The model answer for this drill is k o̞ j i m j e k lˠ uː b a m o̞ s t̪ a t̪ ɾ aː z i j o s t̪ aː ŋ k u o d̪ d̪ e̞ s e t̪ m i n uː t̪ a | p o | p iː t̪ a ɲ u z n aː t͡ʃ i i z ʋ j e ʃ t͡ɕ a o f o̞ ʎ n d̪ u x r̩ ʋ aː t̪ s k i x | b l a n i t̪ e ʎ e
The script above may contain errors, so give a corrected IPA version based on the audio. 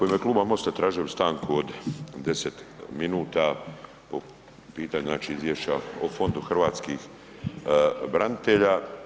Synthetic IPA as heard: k o̞ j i m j e k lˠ uː b a m o̞ s t̪ a t̪ ɾ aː ʒ i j o s t̪ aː ŋ k u o d̪ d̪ e̞ s e t̪ m i n uː t̪ a | p o | p iː t̪ a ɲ u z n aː t͡ʃ i i z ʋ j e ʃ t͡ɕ a o f o̞ n d̪ u x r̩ ʋ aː t̪ s k i x | b ɾ a n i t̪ e ʎ a